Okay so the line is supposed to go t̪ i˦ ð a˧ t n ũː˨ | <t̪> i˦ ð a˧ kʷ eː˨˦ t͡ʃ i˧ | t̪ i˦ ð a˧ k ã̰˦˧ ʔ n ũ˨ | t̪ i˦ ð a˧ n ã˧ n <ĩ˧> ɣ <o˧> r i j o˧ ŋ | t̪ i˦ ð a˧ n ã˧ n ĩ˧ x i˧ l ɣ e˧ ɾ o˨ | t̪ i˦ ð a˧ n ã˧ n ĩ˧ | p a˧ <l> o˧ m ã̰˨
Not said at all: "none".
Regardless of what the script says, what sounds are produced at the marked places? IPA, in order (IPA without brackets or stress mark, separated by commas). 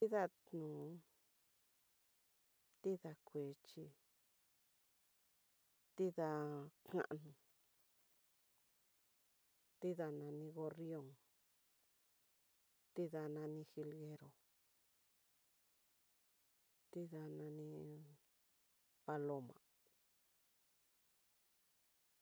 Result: t̪, ĩ˧, o˧, l